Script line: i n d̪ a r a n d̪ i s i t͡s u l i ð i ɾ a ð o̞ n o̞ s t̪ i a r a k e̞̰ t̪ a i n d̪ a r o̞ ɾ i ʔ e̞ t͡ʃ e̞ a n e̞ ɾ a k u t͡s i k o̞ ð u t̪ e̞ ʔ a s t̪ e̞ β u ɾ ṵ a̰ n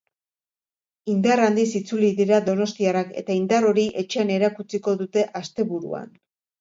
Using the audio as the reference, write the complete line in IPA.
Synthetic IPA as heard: i n d̪ a r a n d̪ i s i t͡s u l i ð i ɾ a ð o̞ n o̞ s t̪ i a r a k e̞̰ t̪ a i n d̪ a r o̞ ɾ i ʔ e̞ t͡ʃ e̞ a n e̞ ɾ a k u t͡s i k o̞ ð u t̪ e̞ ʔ a s t̪ e̞ β u ɾ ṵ a̰ n